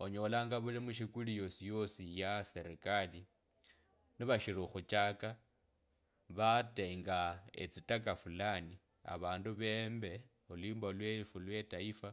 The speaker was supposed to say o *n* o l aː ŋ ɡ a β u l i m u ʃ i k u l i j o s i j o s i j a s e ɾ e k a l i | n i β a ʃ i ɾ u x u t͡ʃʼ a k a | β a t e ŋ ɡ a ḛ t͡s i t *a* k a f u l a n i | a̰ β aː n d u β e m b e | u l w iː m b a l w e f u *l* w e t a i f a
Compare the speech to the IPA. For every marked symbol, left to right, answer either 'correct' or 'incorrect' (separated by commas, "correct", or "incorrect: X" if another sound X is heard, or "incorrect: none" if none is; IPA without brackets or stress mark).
incorrect: ɲ, correct, correct